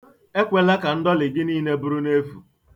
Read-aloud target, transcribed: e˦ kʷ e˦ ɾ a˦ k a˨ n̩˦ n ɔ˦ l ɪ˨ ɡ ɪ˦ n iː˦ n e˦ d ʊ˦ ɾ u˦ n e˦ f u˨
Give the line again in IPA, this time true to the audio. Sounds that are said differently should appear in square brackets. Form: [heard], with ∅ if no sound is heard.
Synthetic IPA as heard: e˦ kʷ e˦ [l] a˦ k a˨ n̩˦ [d] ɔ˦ l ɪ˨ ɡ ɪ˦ n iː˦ n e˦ [b] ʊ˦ ɾ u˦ n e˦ f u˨